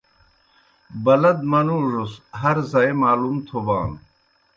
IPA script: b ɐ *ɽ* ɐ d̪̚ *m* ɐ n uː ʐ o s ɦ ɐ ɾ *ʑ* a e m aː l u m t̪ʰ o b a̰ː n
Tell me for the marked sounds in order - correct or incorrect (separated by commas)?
incorrect, correct, incorrect